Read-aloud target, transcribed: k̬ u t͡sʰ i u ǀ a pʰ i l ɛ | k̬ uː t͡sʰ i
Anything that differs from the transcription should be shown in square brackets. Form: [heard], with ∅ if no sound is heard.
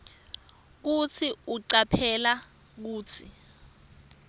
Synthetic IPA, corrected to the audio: k̬ u t͡sʰ i u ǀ a pʰ [ɛ] l [a] | k̬ uː t͡sʰ i